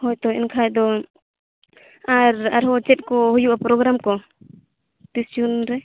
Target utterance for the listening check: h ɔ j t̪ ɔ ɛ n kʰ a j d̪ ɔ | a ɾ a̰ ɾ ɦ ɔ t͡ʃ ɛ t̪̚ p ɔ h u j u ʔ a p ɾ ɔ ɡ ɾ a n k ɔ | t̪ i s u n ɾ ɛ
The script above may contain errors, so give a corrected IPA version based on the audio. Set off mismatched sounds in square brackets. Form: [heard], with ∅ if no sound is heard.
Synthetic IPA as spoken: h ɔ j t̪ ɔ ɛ n kʰ a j d̪ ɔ | a ɾ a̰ ɾ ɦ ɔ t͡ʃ ɛ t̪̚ [k] ɔ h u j u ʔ a p ɾ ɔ ɡ ɾ a [m] k ɔ | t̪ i s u n ɾ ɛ